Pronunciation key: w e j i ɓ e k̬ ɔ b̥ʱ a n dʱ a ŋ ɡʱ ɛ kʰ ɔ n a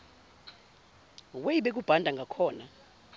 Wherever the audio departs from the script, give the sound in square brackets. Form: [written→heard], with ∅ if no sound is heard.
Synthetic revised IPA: w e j i ɓ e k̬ [ɔ→u] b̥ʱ a n dʱ a ŋ ɡʱ [ɛ→a] kʰ [ɔ→ɔː] n a